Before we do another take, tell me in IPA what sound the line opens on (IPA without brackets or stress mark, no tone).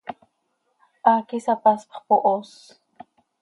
ʔ